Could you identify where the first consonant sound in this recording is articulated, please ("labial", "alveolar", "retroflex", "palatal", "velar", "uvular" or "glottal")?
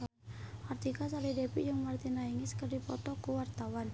alveolar